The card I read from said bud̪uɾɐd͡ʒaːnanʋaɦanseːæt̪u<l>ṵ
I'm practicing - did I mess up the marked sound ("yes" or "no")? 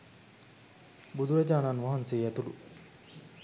no